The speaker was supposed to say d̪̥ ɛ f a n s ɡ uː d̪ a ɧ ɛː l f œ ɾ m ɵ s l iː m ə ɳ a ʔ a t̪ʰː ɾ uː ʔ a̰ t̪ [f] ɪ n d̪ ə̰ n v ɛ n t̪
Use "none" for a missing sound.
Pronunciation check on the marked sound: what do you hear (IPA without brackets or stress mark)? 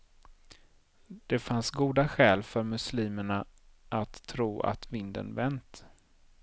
v